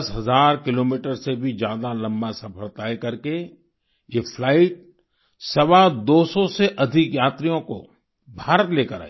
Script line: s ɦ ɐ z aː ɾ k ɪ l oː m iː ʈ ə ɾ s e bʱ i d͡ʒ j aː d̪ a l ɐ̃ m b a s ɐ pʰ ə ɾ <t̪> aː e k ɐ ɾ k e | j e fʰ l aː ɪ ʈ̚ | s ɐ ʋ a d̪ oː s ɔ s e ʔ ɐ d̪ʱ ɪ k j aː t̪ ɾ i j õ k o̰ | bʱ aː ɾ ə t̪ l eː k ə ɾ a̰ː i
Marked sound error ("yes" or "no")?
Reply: no